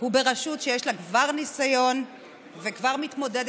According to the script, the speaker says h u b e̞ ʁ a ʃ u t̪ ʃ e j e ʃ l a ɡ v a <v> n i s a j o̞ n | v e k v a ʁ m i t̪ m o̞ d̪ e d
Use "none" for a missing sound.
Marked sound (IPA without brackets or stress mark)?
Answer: ʁ